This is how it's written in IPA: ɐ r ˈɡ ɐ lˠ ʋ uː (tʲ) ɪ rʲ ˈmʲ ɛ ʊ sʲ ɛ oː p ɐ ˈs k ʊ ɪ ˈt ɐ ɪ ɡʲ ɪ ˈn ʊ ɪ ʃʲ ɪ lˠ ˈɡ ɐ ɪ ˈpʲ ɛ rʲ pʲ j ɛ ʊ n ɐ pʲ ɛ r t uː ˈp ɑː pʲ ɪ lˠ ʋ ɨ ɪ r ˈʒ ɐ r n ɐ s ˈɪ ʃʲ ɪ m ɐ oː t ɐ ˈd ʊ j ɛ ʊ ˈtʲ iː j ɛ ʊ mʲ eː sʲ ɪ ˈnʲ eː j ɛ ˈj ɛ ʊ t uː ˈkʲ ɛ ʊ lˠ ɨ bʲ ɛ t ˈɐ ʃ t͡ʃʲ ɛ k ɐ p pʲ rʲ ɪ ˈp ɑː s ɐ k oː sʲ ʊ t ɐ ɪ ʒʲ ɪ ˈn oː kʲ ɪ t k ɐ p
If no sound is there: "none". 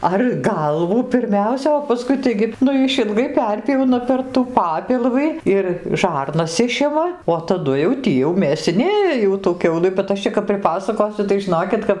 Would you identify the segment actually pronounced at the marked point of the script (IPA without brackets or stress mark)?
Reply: pʲ